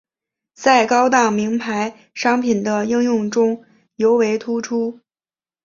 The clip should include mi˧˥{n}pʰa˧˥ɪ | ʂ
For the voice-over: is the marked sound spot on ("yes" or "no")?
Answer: no